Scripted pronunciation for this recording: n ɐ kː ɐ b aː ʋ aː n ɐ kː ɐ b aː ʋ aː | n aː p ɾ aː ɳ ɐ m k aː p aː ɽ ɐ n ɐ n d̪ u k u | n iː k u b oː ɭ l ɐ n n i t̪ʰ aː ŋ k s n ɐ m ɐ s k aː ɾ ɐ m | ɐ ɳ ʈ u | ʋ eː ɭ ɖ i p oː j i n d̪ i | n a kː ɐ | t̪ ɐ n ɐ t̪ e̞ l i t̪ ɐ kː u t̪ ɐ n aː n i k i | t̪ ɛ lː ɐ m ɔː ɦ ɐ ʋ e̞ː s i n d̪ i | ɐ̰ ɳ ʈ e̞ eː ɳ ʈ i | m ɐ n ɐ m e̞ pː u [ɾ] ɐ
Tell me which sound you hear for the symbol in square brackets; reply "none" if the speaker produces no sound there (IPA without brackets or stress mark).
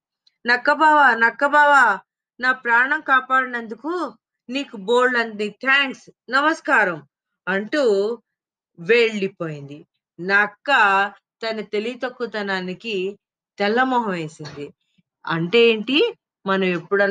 ɽ